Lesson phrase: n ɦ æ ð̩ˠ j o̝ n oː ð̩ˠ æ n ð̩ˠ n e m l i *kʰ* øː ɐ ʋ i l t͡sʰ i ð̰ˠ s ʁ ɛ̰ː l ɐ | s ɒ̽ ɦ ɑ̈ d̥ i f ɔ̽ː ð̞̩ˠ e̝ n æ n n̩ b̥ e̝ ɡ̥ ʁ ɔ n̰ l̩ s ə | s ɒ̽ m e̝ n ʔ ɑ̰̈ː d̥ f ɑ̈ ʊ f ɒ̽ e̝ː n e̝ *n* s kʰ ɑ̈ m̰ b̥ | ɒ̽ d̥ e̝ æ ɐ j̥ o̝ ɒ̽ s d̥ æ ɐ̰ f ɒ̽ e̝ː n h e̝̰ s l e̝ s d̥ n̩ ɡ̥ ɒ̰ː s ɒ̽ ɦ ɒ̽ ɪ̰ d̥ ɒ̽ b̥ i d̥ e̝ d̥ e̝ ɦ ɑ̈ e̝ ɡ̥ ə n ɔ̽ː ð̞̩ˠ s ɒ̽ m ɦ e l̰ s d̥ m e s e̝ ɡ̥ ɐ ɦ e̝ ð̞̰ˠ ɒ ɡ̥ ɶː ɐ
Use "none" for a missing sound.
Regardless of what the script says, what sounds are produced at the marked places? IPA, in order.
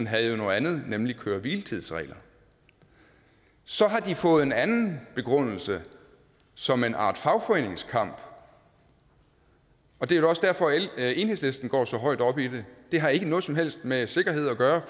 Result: kʰ, ŋ

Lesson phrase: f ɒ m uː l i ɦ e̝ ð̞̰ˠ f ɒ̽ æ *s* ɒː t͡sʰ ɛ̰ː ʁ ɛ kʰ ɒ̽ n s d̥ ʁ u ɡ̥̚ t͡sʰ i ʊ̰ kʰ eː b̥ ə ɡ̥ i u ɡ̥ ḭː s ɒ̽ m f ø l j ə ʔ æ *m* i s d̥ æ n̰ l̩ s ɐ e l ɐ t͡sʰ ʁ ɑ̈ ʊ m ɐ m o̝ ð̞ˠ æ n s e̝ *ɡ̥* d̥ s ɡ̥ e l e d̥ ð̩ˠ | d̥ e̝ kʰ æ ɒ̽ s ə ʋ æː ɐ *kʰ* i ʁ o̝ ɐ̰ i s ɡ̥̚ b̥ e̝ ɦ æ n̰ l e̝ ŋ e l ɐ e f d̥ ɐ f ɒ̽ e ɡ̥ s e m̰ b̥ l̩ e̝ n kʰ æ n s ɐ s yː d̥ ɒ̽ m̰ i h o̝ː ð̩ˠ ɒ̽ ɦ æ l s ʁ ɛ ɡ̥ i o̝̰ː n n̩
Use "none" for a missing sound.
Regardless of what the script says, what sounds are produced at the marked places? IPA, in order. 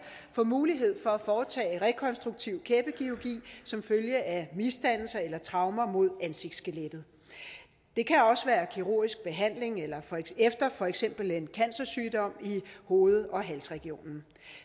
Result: f, m, ɡ̥, kʰ

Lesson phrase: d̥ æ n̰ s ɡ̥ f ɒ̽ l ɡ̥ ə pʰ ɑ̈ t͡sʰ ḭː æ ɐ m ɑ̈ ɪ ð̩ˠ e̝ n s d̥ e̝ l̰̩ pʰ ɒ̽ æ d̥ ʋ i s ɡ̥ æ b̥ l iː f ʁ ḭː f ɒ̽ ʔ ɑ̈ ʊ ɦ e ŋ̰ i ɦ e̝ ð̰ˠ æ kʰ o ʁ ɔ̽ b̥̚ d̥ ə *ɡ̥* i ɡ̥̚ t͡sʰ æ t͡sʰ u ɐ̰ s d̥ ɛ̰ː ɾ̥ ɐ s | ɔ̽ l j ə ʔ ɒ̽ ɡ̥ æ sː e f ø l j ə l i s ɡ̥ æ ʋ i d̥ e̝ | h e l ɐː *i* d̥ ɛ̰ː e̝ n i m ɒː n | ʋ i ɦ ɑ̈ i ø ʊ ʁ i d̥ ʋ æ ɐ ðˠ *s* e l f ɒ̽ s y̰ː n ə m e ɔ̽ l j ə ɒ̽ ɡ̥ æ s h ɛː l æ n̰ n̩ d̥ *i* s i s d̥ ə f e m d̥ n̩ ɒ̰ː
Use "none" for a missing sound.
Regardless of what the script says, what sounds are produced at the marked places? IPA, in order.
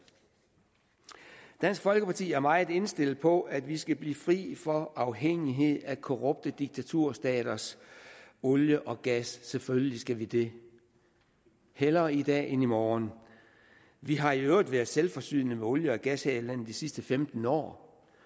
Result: d̥, i, s, i

